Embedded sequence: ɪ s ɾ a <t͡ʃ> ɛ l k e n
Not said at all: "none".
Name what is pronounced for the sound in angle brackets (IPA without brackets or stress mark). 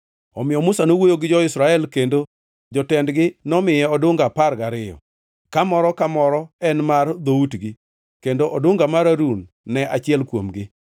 none